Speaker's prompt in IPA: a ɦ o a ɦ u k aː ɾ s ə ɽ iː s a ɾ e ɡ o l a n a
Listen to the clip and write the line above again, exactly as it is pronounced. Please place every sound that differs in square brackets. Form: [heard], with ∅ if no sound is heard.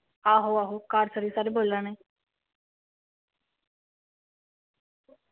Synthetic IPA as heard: a ɦ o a ɦ [o] k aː ɾ s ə [ɾ] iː s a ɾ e [b] o l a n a